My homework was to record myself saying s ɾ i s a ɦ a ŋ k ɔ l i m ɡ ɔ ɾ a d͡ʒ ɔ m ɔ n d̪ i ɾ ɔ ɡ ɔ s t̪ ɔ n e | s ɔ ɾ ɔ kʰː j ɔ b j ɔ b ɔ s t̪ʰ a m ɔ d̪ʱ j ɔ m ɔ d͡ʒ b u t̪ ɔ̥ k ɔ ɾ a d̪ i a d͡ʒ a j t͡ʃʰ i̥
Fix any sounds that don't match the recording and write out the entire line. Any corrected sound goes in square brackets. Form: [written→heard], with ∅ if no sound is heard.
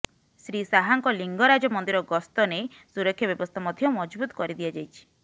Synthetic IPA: s ɾ i s a ɦ a ŋ k ɔ l i [m→ŋ] ɡ ɔ ɾ a d͡ʒ ɔ m ɔ n d̪ i ɾ ɔ ɡ ɔ s t̪ ɔ n e | s [ɔ→u] ɾ ɔ kʰː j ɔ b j ɔ b ɔ s t̪ʰ a m ɔ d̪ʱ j ɔ m ɔ d͡ʒ b u t̪ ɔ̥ k ɔ ɾ [a→i] d̪ i a d͡ʒ a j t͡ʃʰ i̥